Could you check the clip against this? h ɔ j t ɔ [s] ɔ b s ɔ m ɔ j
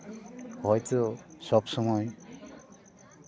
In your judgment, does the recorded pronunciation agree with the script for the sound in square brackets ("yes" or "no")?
yes